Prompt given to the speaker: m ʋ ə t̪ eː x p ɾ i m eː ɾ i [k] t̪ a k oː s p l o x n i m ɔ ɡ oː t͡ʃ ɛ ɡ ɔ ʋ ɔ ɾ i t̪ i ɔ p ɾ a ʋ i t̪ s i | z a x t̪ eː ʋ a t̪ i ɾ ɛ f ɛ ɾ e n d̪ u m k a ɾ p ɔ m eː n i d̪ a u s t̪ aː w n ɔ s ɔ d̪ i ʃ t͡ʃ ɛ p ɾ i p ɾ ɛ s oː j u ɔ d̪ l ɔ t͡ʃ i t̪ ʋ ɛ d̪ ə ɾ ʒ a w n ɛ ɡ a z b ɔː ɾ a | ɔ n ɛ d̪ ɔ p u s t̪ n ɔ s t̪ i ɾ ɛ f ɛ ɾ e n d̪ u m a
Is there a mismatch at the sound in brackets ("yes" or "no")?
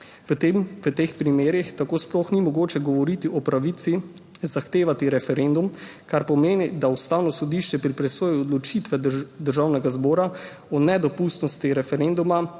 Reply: yes